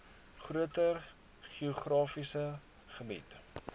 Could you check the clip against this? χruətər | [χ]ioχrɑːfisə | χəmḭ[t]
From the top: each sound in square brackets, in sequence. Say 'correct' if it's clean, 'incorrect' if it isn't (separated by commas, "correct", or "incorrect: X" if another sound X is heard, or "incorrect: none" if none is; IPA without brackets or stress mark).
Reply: correct, correct